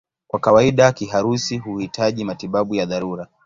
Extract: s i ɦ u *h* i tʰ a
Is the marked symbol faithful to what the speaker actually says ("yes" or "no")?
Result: yes